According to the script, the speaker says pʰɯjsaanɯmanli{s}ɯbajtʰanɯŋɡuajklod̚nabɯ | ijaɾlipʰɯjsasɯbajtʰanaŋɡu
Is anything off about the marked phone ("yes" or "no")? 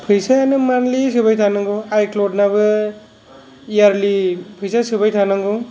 no